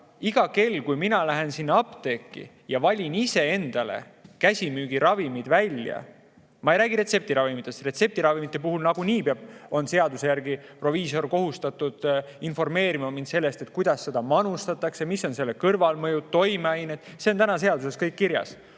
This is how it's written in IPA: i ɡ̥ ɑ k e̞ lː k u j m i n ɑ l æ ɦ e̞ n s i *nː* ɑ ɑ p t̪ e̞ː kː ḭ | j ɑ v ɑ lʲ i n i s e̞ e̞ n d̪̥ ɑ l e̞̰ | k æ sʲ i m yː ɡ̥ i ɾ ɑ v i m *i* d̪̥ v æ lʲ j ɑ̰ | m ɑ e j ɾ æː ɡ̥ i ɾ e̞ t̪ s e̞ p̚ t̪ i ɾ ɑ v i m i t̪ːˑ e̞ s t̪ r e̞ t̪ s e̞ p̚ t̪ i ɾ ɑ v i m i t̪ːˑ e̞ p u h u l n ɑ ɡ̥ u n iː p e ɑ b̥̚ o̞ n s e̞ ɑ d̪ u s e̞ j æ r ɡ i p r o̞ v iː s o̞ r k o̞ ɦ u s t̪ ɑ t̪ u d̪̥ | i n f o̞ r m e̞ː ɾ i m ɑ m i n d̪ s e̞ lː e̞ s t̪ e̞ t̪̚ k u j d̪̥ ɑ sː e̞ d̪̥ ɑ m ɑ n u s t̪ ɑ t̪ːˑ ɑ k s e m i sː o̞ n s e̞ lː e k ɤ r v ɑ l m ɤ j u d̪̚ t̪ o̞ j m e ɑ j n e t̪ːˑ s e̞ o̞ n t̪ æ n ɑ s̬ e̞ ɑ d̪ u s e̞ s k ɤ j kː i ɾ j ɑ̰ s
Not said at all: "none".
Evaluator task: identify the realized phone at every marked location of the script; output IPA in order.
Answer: nː, i

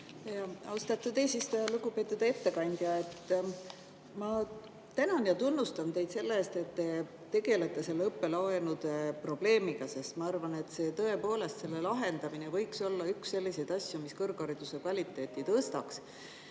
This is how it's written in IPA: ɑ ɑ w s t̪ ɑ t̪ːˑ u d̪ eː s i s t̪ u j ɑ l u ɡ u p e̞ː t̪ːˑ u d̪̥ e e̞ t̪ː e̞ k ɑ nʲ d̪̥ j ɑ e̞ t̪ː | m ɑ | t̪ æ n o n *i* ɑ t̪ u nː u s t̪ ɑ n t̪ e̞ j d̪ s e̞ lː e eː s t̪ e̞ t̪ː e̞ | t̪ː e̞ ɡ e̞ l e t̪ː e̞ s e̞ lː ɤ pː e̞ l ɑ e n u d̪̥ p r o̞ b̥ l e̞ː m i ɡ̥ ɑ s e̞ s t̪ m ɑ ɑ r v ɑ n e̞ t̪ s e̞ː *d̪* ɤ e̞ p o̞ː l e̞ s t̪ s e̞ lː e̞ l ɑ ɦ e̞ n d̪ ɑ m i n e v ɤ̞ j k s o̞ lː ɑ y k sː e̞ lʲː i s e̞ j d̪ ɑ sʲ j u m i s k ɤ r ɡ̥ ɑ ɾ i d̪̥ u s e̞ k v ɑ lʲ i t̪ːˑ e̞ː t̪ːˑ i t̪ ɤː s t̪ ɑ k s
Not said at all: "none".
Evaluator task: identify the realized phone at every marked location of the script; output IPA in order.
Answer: j, t̪

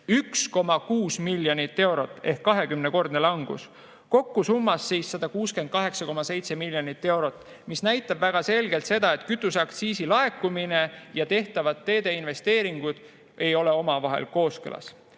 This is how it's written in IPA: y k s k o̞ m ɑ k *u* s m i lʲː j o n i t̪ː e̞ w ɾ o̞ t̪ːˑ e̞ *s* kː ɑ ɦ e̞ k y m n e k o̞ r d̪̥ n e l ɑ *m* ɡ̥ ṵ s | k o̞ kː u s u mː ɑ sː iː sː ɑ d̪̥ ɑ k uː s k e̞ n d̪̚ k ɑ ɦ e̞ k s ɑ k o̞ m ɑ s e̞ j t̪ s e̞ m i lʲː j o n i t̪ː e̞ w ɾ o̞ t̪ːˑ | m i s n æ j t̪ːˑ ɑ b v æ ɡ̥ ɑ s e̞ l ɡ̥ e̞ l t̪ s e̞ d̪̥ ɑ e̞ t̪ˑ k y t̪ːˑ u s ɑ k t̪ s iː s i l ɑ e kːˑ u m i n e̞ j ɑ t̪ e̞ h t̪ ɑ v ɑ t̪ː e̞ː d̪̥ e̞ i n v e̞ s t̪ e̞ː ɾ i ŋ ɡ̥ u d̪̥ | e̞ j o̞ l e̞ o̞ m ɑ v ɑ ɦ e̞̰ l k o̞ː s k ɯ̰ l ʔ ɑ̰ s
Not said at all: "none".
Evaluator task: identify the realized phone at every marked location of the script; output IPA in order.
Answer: uː, h, ŋ

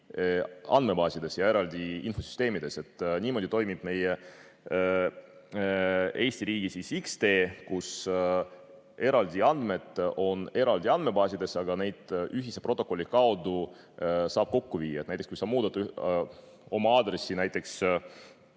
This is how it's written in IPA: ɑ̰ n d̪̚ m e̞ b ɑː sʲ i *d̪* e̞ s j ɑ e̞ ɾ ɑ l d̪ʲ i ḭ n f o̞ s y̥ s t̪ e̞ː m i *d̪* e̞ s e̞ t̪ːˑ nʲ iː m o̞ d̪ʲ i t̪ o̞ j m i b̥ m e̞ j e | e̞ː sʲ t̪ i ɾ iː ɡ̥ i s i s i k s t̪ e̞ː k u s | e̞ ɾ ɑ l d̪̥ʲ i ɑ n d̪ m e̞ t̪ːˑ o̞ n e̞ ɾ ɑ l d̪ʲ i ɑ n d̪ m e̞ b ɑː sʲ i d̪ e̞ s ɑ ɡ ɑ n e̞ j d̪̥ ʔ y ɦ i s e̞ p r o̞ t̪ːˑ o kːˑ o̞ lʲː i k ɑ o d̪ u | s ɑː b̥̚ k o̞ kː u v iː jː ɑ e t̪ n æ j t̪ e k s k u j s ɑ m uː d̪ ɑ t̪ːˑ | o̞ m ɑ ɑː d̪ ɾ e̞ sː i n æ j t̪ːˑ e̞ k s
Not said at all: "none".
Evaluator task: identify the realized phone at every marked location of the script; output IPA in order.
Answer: d̪, d̪

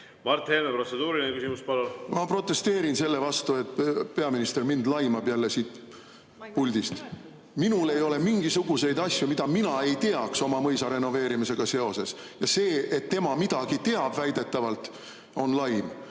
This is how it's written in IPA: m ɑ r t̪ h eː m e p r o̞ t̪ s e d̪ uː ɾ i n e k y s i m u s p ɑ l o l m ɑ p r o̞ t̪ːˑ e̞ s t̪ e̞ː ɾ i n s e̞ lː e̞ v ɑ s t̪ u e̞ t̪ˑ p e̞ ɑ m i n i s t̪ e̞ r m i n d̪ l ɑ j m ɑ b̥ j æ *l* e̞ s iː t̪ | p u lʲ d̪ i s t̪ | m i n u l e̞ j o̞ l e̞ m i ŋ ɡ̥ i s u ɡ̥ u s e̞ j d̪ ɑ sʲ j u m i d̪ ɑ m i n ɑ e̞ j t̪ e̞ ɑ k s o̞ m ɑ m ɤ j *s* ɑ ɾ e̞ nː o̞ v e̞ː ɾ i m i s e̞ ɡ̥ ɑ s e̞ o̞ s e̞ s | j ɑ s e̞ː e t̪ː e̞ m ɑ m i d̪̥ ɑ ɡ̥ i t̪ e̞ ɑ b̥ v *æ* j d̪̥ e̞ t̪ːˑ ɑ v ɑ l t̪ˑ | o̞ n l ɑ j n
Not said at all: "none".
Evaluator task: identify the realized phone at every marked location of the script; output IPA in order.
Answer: lː, s, æ

